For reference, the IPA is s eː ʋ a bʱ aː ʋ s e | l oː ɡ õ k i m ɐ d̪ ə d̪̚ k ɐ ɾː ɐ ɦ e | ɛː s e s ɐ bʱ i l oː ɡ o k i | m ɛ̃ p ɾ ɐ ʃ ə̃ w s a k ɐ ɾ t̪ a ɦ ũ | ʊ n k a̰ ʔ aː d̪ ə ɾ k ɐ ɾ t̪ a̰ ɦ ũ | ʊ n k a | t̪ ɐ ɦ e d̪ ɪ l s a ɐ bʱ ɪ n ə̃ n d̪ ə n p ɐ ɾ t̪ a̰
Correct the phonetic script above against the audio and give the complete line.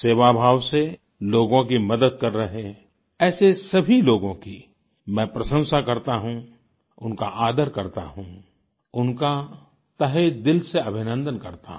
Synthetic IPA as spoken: s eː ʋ a bʱ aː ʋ s e | l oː ɡ õ k i m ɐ d̪ ə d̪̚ k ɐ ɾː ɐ ɦ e | ɛː s e s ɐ bʱ i l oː ɡ õ k i | m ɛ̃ p ɾ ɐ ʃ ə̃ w s a k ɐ ɾ t̪ a ɦ ũ | ʊ n k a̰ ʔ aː d̪ ə ɾ k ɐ ɾ t̪ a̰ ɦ ũ | ʊ n k a | t̪ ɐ ɦ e d̪ ɪ l s e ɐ bʱ ɪ n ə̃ n d̪ ə n k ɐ ɾ t̪ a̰